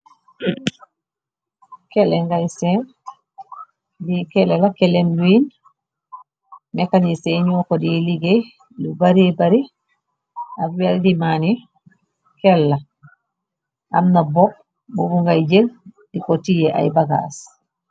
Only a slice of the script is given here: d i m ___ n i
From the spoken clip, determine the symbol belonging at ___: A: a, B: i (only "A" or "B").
A